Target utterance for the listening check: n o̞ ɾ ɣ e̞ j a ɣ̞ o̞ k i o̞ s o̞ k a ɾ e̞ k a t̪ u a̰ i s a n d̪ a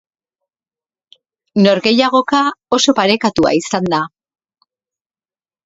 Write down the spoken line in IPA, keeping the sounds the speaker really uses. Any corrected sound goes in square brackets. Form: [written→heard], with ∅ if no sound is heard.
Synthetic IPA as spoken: n o̞ ɾ ɣ e̞ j a ɣ̞ o̞ k [i→a] o̞ s o̞ [k→p] a ɾ e̞ k a t̪ u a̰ i s a n d̪ a